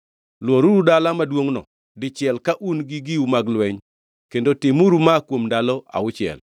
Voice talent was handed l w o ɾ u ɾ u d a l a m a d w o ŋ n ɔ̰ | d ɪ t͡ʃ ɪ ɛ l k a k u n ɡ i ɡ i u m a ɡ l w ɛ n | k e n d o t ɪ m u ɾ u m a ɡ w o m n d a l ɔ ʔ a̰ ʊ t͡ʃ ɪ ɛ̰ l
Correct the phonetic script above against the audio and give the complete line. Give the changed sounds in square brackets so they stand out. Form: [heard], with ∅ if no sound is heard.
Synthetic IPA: l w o ɾ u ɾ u d a l a m a d w o ŋ n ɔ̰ | d ɪ t͡ʃ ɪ ɛ l k a [ʔ] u n ɡ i ɡ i u m a ɡ l w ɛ [ɲ] | k e n d o t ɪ m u ɾ u m a [k] w o m n d a l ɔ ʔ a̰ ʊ t͡ʃ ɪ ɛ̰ l